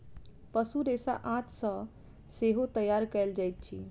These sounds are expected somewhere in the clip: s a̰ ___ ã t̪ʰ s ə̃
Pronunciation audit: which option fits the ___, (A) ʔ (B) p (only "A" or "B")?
A